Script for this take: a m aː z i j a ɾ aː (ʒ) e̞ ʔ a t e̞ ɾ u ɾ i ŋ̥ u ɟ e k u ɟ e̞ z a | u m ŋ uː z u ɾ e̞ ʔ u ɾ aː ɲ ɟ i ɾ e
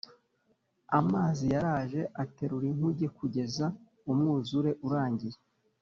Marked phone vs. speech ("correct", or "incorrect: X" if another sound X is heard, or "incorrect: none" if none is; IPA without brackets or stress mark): correct